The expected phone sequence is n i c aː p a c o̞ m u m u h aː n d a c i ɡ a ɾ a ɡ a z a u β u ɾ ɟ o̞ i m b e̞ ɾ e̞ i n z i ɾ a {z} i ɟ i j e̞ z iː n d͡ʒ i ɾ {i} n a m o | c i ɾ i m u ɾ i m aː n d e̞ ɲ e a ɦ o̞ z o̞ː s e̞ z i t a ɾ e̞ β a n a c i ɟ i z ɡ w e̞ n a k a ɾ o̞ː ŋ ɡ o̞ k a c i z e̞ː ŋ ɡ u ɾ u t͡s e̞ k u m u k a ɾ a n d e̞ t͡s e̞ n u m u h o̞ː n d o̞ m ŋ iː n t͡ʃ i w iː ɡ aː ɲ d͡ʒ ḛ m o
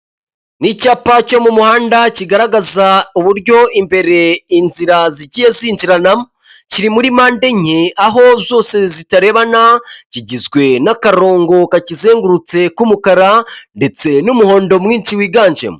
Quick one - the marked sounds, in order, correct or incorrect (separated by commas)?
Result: correct, incorrect